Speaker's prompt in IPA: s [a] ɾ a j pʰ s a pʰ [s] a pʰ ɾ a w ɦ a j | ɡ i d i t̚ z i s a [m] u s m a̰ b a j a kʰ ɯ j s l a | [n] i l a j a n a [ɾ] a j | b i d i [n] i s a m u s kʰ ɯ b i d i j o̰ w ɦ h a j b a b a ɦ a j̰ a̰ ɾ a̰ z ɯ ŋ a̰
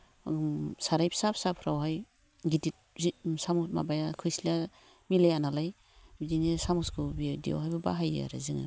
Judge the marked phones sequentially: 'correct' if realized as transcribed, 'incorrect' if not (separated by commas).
correct, correct, correct, incorrect, incorrect, correct